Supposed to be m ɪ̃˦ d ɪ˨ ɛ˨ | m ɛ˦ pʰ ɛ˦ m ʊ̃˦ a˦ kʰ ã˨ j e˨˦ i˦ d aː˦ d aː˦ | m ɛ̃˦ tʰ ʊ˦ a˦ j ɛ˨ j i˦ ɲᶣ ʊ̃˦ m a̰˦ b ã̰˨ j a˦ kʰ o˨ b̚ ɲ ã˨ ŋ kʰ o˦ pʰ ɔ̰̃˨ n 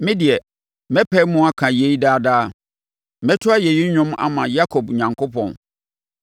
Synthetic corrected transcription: m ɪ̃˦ d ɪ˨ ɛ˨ | m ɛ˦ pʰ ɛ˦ m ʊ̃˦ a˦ kʰ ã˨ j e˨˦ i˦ d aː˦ d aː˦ | m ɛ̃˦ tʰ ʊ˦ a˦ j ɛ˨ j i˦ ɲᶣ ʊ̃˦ m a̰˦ m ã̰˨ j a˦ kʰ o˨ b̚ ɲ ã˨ ŋ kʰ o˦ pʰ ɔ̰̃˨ n